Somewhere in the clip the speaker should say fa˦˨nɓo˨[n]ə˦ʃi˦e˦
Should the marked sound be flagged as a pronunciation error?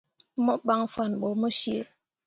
yes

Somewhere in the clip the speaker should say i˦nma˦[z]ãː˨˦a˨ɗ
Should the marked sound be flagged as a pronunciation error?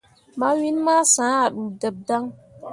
yes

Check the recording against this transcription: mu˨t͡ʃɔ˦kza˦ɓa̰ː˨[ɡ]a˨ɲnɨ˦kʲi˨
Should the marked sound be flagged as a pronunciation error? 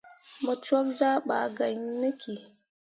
no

